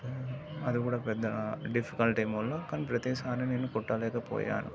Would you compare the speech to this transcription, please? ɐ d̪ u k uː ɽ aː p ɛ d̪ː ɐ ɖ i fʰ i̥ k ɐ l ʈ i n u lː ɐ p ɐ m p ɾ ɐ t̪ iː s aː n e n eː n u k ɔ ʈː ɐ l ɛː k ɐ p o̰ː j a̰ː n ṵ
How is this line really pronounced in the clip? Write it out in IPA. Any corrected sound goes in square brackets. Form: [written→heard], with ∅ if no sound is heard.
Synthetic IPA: ɐ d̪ u k uː ɽ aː p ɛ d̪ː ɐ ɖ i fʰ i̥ k ɐ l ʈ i [n→m] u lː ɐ [p→k] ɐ [m→n] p ɾ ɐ t̪ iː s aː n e n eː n u k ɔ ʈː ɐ l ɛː k ɐ p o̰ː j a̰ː n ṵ